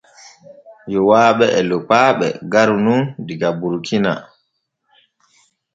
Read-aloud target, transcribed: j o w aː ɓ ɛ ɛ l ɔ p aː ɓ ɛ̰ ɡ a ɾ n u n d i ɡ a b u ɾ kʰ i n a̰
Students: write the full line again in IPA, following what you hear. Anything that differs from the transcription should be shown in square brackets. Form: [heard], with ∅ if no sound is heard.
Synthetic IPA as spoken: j [ɔ] w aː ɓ ɛ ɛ l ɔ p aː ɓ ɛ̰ ɡ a ɾ n u n d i ɡ a b u ɾ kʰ i n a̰